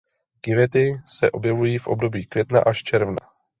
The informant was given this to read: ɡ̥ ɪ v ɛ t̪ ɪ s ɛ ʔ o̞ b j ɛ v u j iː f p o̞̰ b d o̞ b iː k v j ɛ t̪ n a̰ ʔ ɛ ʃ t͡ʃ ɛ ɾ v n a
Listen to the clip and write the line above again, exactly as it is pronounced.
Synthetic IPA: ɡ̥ ɪ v ɛ t̪ ɪ s ɛ ʔ o̞ b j ɛ v u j iː f ʔ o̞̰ b d o̞ b iː k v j ɛ t̪ n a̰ ʔ a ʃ t͡ʃ ɛ ɾ v n a